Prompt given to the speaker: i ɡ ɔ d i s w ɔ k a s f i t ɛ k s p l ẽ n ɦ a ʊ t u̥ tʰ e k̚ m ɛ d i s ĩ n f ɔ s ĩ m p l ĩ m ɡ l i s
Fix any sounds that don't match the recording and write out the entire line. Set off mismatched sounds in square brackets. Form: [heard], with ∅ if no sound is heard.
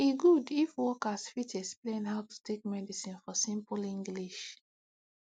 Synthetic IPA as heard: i ɡ [u] d i [f] w ɔ k a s f i t ɛ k s p l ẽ n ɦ a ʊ t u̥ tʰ e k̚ m ɛ d i s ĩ n f ɔ s ĩ m p l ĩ [ŋ] ɡ l i [ʃ]